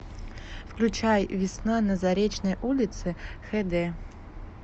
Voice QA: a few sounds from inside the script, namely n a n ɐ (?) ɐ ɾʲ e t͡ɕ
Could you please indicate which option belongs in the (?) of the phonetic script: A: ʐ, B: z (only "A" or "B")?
B